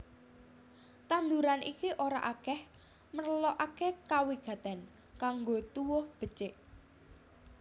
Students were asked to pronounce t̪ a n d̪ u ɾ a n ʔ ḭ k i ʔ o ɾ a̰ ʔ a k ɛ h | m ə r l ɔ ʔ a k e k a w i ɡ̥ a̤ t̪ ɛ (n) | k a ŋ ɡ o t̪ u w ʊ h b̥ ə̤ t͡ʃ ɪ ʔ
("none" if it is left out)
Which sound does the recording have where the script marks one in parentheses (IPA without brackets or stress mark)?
n